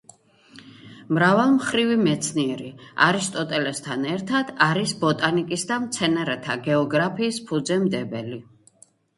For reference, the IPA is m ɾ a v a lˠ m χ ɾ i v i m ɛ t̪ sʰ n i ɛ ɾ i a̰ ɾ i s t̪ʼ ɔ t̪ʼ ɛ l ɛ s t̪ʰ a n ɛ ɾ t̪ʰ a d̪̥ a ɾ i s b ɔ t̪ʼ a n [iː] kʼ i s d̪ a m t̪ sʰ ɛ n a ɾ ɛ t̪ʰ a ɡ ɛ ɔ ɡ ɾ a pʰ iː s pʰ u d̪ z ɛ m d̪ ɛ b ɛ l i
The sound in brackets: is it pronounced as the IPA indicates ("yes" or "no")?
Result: no